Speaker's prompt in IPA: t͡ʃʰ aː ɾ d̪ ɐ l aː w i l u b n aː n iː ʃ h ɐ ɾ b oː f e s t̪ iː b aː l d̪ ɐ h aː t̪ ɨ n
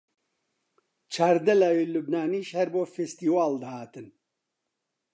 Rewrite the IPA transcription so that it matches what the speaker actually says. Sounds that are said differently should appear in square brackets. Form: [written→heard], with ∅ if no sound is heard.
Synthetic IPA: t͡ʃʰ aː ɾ d̪ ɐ l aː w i l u b n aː n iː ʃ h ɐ ɾ b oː f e s t̪ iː [b→w] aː l d̪ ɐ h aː t̪ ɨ n